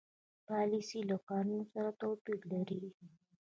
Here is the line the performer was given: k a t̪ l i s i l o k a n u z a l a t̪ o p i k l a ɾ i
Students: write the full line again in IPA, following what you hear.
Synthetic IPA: p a l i s i l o k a n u s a ɾ a t̪ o p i k l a ɾ i